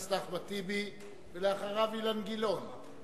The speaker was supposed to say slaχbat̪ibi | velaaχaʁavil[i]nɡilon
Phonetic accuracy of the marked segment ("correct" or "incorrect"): incorrect